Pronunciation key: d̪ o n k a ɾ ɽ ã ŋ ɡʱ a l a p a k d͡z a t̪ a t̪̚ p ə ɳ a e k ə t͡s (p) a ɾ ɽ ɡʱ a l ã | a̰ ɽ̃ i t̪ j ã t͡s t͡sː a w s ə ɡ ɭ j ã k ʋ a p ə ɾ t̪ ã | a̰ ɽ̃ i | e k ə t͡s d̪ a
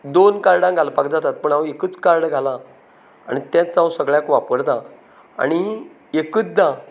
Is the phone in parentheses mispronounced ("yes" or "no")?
yes